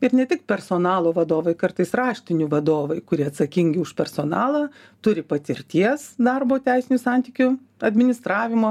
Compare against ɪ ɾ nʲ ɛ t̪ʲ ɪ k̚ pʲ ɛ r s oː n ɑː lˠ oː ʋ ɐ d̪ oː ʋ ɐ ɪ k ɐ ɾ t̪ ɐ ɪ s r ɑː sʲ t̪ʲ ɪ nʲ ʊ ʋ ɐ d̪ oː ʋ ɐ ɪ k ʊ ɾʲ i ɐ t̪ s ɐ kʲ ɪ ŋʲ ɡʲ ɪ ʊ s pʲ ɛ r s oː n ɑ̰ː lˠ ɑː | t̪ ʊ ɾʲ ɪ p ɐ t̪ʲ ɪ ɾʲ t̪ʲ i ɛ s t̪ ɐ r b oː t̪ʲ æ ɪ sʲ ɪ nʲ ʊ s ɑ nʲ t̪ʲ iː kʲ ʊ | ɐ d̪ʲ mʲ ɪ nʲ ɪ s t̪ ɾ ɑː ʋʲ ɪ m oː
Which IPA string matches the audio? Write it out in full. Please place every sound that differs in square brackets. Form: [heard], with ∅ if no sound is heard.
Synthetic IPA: ɪ ɾ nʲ ɛ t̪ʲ ɪ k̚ pʲ ɛ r s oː n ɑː lˠ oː ʋ ɐ d̪ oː ʋ ɐ ɪ k ɐ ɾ t̪ ɐ ɪ s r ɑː [ʃʲ] t̪ʲ ɪ nʲ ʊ ʋ ɐ d̪ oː ʋ ɐ ɪ k ʊ ɾʲ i ɐ t̪ s ɐ kʲ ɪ ŋʲ ɡʲ ɪ ʊ [ʃ] pʲ ɛ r s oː n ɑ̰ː lˠ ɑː | t̪ ʊ ɾʲ ɪ p ɐ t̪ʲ ɪ ɾʲ t̪ʲ i ɛ s [d̪] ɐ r b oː t̪ʲ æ ɪ sʲ ɪ nʲ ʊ s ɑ nʲ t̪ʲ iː kʲ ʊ | ɐ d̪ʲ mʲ ɪ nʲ ɪ s t̪ ɾ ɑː ʋʲ ɪ m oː